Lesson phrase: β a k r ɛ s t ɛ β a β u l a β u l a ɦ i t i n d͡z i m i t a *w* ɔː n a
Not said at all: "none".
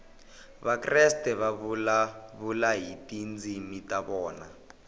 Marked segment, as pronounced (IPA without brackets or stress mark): β